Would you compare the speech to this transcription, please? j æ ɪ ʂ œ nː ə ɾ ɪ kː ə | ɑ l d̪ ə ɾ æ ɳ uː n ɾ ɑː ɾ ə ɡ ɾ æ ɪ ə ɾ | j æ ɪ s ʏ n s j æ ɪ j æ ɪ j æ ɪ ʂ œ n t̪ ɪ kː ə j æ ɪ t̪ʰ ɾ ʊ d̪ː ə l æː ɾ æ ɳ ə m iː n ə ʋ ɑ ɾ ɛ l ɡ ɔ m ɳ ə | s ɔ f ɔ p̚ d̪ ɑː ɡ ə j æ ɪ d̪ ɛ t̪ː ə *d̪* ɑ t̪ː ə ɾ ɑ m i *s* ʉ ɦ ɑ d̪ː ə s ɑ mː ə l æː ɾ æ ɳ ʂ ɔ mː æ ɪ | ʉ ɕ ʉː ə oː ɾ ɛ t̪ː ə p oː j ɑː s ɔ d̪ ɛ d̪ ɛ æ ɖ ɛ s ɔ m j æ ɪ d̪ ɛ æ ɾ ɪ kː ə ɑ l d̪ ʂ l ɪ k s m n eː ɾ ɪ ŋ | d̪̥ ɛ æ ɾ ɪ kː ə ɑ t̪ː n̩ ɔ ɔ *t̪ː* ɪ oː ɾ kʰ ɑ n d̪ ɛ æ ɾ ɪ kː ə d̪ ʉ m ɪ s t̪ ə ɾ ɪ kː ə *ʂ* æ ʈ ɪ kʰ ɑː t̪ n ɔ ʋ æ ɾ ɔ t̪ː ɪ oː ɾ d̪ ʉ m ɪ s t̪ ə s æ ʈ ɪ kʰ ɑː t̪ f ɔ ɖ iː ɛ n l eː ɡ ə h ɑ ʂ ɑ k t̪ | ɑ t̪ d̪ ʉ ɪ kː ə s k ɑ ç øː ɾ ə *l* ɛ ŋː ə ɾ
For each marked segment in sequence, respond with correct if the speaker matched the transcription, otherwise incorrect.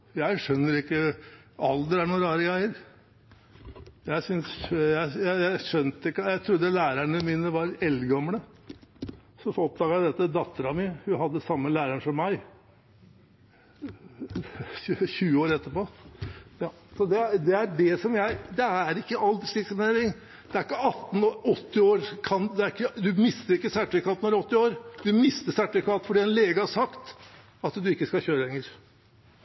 correct, incorrect, correct, incorrect, correct

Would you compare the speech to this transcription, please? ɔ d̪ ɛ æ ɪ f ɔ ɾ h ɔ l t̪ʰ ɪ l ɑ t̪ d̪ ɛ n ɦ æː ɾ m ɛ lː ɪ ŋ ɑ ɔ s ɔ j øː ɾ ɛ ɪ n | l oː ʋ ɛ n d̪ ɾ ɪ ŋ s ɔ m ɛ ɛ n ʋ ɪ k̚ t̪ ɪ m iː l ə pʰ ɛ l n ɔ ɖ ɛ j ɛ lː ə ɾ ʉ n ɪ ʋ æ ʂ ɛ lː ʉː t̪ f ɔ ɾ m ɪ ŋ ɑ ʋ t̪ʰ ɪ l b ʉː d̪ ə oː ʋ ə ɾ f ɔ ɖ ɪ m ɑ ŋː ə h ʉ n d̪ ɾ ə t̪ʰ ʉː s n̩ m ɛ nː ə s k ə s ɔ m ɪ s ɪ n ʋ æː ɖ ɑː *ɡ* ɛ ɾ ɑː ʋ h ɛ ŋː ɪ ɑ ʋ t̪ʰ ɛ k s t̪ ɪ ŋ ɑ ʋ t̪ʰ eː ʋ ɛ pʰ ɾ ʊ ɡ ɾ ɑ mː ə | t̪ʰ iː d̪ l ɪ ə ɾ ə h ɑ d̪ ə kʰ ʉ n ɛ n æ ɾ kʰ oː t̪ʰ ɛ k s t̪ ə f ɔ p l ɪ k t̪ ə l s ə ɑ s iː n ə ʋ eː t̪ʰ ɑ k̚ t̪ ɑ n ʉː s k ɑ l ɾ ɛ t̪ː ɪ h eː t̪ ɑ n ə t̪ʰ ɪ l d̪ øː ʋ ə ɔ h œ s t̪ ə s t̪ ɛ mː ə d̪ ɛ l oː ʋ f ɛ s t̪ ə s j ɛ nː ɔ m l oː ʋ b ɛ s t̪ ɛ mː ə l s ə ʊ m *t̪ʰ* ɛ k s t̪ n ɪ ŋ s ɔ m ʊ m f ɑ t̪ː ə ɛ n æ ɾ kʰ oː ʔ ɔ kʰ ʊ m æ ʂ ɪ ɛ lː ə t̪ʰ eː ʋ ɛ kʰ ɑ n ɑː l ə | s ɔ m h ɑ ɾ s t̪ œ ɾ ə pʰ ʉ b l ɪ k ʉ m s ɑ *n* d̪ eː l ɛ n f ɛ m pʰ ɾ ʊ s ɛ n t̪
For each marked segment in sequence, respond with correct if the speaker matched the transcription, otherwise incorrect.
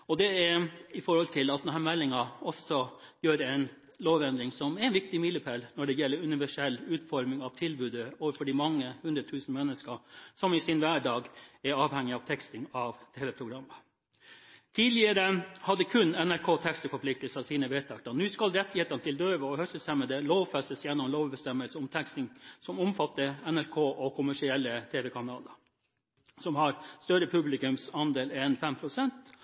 correct, correct, correct

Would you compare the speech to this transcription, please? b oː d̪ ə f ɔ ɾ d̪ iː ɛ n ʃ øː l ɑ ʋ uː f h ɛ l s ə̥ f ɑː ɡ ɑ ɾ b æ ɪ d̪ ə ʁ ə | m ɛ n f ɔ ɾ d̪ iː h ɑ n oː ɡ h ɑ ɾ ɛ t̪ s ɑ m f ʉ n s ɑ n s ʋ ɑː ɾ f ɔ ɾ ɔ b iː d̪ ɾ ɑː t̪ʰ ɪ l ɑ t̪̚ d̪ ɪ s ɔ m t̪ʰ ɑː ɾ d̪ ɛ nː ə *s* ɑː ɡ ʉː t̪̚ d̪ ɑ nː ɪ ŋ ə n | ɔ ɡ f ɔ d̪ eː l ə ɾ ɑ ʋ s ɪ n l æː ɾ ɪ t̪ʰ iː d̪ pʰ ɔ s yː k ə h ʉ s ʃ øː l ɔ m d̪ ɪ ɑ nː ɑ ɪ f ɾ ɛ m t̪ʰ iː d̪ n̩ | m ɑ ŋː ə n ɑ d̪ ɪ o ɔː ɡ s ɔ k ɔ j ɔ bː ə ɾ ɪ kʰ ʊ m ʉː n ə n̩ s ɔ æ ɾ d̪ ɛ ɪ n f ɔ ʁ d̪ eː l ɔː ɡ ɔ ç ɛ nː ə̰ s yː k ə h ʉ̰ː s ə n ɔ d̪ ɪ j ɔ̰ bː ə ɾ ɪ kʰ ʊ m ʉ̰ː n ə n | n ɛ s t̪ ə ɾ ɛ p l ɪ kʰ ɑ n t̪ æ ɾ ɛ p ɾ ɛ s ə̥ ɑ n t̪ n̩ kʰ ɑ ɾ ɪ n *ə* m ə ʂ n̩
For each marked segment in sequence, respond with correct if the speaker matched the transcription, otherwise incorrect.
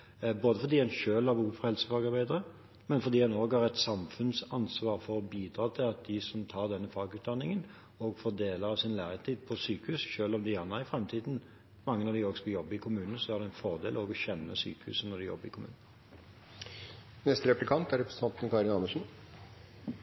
incorrect, incorrect

